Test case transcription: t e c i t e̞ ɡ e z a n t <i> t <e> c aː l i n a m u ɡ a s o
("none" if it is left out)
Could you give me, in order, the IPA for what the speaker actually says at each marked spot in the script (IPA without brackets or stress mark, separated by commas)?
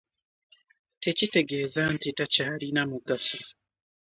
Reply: i, a